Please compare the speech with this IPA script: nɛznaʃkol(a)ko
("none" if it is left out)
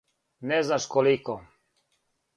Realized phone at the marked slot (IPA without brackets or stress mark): i